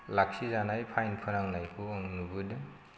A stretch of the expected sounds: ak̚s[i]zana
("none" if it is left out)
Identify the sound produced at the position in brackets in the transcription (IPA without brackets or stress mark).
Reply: i